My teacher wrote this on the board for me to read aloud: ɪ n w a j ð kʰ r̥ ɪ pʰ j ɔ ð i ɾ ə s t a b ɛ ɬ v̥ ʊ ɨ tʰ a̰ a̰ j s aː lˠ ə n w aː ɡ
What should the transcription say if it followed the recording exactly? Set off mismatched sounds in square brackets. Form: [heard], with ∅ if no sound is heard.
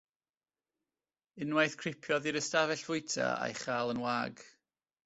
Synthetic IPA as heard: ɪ n w a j [θ] kʰ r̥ ɪ pʰ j ɔ ð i ɾ ə s t a [v] ɛ ɬ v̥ ʊ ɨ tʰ a̰ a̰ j [χ] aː lˠ ə n w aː ɡ